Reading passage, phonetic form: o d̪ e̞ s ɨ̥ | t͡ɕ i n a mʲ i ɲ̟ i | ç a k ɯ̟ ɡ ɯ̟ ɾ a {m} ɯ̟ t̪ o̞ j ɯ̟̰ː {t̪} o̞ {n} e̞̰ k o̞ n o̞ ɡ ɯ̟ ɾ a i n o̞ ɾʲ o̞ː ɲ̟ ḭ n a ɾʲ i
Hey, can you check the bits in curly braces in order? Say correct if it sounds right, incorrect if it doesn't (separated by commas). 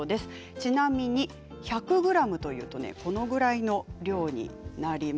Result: correct, correct, correct